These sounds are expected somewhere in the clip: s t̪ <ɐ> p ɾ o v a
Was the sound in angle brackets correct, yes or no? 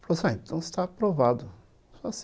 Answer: no